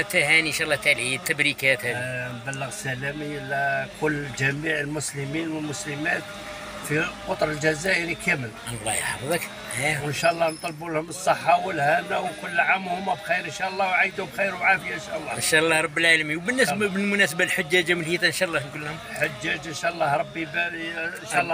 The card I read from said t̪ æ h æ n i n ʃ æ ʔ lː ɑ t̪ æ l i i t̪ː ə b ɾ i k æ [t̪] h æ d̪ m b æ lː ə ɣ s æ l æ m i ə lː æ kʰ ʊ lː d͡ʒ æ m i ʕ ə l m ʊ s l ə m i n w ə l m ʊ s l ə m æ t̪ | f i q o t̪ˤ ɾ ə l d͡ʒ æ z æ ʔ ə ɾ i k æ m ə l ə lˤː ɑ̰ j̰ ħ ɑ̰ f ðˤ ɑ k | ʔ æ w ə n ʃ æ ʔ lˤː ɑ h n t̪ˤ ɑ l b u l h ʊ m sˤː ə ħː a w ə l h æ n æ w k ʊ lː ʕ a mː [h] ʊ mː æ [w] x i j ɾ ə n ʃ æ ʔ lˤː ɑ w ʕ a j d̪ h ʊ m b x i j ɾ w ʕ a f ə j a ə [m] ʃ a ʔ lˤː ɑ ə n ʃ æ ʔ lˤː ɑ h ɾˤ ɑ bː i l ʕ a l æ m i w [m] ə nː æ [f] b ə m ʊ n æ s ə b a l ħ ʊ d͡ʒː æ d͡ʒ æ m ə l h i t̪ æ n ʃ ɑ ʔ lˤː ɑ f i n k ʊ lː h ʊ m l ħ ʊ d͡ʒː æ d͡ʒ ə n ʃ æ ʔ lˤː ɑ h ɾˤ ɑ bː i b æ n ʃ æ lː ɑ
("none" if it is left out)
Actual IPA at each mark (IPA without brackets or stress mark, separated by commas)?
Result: t̪, h, b, n, b, s